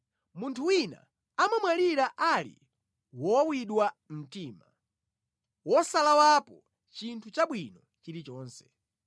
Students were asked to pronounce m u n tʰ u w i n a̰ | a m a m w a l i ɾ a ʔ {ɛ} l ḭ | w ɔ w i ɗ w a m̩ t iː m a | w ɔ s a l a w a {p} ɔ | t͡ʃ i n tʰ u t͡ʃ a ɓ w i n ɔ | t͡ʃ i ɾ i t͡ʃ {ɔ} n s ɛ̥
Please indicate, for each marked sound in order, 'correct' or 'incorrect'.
incorrect: a, correct, incorrect: ɔː

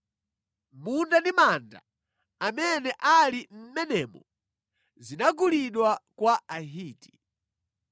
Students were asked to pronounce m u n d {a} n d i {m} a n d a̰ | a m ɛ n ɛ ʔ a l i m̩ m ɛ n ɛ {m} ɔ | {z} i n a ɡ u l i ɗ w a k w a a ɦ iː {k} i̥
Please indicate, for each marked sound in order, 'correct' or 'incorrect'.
correct, correct, correct, correct, incorrect: t

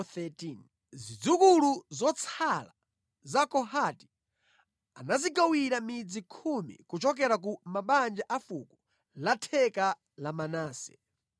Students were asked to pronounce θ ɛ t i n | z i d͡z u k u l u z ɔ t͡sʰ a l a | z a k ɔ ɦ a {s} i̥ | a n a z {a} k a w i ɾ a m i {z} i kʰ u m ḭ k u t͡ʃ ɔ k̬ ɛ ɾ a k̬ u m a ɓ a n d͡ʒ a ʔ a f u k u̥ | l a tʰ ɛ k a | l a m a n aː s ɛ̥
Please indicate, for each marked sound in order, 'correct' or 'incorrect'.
incorrect: t, incorrect: i, incorrect: d͡z

